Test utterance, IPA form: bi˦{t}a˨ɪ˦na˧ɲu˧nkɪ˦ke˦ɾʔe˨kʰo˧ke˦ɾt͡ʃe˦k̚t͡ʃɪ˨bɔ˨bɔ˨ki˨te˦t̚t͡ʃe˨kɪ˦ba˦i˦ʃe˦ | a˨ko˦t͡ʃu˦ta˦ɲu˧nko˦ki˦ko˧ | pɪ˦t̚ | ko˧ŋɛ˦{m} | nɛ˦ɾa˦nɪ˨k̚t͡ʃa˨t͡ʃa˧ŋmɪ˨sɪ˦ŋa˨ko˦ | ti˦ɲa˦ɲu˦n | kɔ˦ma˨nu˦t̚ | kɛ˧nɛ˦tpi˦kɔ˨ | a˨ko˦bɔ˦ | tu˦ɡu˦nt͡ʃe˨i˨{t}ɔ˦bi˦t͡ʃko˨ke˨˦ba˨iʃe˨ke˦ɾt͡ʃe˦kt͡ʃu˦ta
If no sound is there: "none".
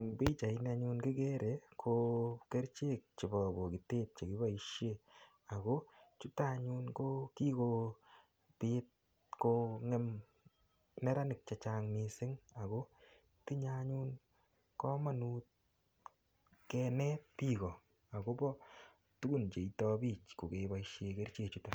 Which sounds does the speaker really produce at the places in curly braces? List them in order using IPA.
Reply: t͡ʃ, m, t

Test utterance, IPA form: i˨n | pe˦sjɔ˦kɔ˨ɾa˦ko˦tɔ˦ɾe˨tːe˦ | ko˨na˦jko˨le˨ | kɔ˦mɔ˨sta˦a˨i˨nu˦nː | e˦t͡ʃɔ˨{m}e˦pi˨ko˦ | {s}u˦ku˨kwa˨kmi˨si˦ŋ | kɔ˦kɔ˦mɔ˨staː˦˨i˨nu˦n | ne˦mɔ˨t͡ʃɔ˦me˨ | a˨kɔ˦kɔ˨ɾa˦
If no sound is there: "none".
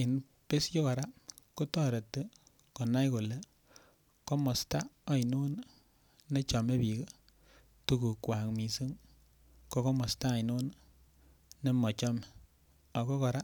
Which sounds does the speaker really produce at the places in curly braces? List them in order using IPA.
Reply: m, t

